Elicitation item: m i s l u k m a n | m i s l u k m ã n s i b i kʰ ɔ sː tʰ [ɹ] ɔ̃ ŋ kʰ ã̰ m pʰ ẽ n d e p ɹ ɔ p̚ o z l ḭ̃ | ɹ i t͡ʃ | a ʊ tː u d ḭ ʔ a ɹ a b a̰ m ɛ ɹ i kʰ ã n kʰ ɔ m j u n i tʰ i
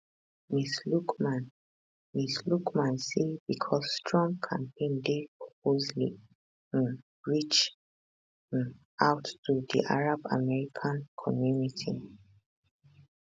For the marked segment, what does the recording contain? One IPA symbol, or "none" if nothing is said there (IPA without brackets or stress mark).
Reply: ɹ